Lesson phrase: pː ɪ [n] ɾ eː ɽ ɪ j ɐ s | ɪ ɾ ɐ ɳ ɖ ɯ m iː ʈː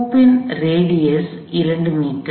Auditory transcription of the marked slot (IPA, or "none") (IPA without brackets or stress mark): n